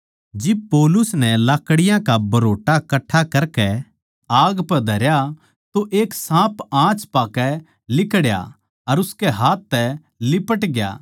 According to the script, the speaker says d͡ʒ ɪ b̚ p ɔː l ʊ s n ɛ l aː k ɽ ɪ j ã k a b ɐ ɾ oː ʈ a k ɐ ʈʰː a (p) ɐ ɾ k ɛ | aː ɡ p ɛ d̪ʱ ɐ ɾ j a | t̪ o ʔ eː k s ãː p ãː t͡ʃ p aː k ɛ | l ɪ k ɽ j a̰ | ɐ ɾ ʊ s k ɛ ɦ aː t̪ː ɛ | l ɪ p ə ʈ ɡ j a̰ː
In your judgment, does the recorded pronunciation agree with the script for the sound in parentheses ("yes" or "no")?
no